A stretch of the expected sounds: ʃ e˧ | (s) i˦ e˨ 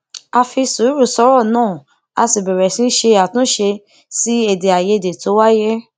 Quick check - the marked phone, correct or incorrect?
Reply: correct